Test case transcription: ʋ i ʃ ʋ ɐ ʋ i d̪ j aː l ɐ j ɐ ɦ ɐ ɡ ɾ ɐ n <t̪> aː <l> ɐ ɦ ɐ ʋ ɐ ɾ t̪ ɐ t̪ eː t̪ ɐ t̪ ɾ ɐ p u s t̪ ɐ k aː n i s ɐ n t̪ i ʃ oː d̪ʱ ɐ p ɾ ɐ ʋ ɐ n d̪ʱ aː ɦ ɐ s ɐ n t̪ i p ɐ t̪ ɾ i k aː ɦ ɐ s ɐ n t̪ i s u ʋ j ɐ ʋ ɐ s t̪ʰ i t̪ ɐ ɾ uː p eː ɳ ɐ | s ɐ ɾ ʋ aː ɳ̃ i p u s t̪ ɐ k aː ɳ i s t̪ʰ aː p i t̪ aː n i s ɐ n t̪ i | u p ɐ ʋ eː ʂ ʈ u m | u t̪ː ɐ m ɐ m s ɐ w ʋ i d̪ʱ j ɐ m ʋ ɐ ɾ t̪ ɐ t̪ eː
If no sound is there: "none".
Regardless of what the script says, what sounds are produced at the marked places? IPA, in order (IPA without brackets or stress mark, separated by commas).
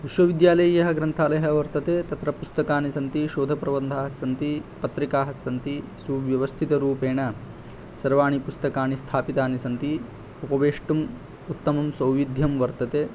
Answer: t̪ʰ, l